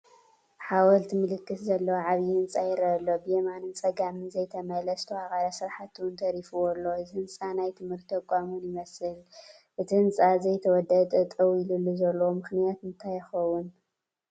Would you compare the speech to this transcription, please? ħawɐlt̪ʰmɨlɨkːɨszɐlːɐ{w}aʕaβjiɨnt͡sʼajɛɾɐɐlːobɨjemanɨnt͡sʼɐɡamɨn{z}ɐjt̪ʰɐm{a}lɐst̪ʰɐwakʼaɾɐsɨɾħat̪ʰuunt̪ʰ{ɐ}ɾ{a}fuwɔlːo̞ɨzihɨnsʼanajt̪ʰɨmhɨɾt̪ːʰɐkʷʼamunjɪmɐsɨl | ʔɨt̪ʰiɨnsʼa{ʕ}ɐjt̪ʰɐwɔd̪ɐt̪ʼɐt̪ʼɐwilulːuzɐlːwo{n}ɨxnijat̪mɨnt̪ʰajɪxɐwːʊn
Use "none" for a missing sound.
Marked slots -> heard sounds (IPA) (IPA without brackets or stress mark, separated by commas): w, z, ɐ, ɐ, i, z, m